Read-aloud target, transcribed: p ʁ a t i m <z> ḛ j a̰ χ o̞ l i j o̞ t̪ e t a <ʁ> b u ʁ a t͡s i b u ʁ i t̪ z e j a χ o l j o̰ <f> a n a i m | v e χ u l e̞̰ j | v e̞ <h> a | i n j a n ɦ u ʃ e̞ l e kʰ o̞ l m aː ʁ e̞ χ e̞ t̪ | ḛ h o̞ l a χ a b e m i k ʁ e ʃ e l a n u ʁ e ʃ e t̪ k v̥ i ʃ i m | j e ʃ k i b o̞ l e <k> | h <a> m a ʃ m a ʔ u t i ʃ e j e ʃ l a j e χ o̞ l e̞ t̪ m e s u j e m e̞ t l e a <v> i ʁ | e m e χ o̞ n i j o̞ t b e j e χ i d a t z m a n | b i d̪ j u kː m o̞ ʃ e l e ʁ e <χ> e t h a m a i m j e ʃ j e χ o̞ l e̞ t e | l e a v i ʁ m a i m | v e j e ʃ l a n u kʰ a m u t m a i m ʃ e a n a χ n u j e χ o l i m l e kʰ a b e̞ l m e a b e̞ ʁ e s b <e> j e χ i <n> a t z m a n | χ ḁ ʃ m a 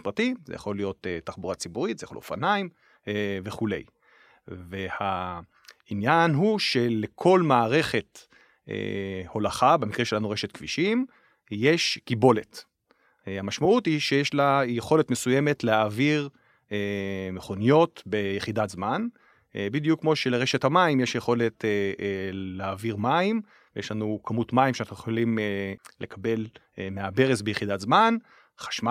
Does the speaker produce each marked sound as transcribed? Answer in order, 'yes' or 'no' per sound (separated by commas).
yes, no, yes, yes, no, yes, yes, no, yes, no